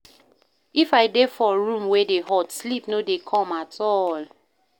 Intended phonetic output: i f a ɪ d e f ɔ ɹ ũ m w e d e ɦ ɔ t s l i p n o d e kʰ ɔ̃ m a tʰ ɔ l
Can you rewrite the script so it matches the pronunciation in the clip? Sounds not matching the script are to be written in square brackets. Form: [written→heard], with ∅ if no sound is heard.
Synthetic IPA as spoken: i f a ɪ d e f ɔ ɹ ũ m w e d e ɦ ɔ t s l i p n o d e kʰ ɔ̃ m a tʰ ɔ l

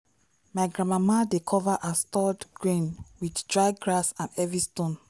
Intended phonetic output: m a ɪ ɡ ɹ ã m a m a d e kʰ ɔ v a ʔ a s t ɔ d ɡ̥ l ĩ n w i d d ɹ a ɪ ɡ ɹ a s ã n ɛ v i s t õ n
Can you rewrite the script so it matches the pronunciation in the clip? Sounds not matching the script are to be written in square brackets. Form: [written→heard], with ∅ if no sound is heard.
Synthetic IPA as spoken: m a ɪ ɡ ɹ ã m a m a d e kʰ ɔ v a ʔ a s t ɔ d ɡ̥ [l→ɹ] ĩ n w i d d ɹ a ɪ ɡ ɹ a s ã n ɛ v i s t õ n

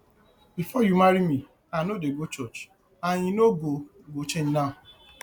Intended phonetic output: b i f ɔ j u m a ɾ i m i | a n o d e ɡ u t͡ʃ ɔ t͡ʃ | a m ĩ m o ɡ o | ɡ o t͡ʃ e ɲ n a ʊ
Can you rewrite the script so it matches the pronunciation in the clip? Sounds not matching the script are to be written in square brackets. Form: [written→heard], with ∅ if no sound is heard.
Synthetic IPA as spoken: b i f ɔ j u m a ɾ i m i | a n o d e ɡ [u→o] t͡ʃ ɔ t͡ʃ | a [m→ɲ] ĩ [m→n] o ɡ o | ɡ o t͡ʃ e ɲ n a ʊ

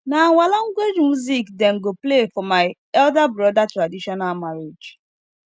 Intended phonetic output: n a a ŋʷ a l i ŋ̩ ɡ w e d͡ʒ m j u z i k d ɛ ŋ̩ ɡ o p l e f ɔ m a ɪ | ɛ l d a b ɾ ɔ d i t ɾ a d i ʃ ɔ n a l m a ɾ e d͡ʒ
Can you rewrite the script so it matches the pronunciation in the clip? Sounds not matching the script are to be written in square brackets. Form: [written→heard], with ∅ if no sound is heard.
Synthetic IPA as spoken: n a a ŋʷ a l [i→a] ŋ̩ ɡ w e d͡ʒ m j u z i k d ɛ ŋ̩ ɡ o p l e f ɔ m a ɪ | ɛ l d a b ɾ ɔ d [i→a] t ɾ a d i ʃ ɔ n a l m a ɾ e d͡ʒ

